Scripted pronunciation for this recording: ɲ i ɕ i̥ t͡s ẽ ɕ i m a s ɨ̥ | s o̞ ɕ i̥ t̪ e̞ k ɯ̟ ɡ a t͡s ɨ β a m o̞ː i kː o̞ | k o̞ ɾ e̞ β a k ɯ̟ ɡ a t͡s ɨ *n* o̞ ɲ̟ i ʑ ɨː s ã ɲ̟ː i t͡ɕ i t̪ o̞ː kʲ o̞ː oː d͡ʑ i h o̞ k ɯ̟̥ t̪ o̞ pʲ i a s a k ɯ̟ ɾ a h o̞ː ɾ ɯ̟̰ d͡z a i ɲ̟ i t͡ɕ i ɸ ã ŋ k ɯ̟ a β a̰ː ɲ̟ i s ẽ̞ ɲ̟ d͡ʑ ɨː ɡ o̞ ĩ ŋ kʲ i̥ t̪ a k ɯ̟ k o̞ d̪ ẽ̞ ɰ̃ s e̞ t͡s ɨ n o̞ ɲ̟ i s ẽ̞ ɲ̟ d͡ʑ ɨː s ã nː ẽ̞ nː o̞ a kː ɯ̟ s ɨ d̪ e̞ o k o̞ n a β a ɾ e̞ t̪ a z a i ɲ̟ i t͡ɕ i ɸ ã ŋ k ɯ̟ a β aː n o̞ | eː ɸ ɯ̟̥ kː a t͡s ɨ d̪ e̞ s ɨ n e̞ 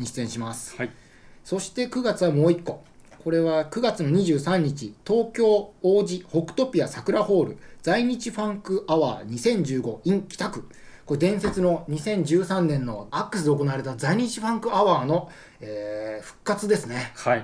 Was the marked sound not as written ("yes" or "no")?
no